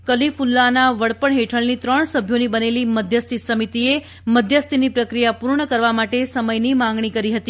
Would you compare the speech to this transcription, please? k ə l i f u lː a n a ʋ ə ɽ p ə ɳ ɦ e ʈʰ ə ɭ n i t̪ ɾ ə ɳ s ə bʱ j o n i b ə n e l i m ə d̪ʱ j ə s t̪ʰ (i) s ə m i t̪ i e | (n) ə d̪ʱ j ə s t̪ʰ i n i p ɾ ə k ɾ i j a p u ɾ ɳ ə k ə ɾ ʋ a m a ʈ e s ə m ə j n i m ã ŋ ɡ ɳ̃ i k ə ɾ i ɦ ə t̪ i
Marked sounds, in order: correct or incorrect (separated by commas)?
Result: correct, incorrect